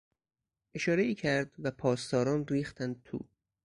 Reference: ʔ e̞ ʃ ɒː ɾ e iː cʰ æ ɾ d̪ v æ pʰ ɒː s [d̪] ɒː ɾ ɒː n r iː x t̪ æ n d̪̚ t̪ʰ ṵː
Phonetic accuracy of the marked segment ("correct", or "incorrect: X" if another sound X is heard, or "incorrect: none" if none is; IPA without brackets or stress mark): incorrect: t̪